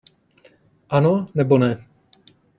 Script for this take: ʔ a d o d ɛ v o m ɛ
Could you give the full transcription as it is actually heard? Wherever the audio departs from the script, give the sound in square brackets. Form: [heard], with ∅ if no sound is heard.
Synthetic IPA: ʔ a [n] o [n] ɛ [b] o [n] ɛ